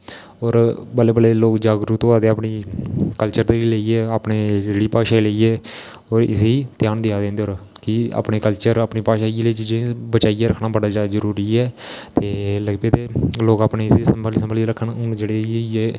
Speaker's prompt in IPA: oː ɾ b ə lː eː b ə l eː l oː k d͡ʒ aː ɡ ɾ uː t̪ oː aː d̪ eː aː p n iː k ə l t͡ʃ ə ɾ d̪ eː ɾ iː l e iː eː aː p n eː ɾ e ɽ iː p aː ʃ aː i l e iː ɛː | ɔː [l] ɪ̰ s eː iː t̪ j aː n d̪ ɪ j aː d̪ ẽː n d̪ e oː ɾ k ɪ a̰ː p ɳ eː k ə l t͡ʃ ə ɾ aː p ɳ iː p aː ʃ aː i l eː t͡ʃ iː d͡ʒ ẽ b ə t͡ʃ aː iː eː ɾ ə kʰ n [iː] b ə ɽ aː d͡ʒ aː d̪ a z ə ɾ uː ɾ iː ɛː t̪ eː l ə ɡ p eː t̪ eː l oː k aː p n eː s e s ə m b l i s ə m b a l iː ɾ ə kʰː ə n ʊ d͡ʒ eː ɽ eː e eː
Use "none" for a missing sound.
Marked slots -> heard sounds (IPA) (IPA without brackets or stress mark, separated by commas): ɾ, aː